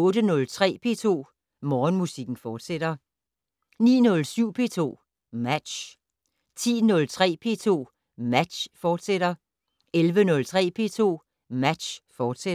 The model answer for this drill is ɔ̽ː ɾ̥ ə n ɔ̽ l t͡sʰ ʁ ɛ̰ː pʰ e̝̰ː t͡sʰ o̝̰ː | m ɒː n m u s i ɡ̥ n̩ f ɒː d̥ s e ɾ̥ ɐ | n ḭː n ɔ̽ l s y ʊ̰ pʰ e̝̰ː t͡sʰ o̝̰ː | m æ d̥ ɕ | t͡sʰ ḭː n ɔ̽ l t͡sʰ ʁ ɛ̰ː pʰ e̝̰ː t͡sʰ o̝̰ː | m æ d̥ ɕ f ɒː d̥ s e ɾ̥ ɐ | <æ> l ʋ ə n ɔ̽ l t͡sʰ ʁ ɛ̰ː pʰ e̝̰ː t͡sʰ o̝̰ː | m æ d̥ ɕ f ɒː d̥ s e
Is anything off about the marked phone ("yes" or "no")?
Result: yes